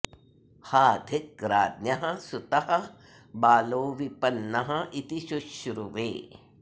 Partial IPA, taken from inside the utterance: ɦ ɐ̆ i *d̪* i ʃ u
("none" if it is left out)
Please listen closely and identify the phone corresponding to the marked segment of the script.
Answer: t̪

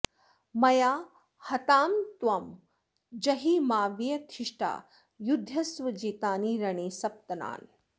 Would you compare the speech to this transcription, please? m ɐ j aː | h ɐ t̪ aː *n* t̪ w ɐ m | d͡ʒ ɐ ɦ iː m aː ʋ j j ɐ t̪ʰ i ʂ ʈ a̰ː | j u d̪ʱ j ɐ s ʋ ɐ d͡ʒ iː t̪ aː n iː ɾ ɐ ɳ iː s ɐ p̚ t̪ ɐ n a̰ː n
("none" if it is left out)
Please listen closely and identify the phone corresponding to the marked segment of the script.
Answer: m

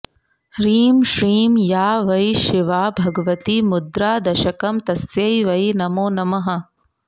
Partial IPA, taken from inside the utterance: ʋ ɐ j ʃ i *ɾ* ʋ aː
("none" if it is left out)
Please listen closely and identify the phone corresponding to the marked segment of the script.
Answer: none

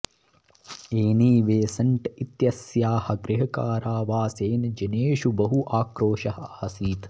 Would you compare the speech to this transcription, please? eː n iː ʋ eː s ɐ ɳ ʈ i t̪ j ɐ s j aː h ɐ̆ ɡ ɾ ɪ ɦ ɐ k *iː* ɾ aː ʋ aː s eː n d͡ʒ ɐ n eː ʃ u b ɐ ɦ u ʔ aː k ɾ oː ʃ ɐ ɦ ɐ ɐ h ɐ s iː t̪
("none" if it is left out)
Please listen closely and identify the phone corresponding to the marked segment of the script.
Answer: aː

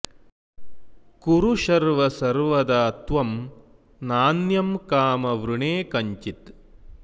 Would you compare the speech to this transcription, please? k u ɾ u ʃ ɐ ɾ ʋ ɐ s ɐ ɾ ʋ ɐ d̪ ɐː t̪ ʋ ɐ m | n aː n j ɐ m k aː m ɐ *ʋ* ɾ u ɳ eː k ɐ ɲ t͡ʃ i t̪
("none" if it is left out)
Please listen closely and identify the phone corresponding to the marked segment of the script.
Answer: ʋ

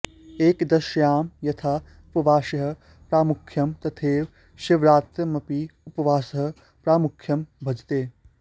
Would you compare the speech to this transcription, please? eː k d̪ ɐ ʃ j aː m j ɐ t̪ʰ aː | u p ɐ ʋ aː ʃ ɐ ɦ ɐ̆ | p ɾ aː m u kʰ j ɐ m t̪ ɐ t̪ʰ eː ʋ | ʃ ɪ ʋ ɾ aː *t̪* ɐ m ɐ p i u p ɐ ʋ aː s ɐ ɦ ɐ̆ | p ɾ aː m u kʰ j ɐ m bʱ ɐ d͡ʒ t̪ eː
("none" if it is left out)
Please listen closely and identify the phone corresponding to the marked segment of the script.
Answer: t̪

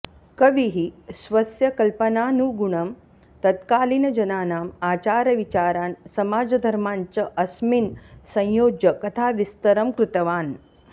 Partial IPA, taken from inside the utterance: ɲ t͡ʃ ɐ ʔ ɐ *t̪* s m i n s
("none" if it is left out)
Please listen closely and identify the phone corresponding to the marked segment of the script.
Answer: none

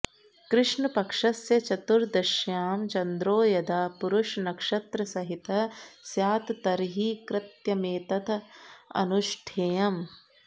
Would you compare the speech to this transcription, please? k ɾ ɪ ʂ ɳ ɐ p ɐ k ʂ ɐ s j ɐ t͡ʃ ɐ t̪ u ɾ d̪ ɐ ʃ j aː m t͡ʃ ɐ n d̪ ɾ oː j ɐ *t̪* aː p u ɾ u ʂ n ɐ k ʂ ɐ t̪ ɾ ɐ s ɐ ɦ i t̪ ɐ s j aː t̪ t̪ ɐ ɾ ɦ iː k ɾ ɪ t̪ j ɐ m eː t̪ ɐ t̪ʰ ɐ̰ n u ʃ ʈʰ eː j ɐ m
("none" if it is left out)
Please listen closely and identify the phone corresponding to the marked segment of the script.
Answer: d̪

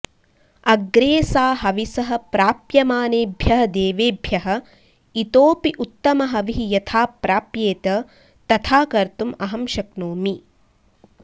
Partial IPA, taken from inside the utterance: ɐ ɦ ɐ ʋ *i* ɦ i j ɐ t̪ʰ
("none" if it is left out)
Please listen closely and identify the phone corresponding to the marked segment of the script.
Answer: i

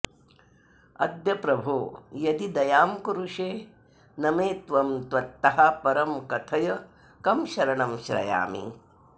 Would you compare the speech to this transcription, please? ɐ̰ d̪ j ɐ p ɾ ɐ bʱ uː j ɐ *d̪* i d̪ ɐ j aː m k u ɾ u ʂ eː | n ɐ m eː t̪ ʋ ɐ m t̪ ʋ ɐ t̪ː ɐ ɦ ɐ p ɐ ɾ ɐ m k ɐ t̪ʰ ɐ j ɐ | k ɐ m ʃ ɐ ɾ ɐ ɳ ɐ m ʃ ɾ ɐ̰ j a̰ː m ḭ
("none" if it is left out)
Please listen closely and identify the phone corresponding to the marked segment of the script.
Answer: d̪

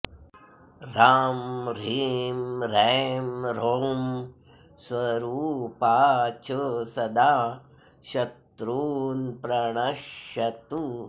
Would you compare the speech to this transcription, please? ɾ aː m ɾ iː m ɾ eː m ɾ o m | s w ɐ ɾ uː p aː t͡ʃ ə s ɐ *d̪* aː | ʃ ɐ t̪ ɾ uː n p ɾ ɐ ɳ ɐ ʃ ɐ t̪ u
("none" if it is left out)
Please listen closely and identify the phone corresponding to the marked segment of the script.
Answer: d̪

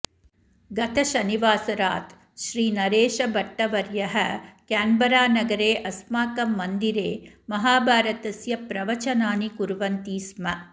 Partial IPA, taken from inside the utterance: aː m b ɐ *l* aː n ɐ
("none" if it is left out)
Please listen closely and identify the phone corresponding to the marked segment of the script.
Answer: ɾ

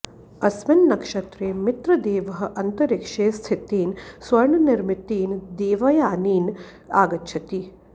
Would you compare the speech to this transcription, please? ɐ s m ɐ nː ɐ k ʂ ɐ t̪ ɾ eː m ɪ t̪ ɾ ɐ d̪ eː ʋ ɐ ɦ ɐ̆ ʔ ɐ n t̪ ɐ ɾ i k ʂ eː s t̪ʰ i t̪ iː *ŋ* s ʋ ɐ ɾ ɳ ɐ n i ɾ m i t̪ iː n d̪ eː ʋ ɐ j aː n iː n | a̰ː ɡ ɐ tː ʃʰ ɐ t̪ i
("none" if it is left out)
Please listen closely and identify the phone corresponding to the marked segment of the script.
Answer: n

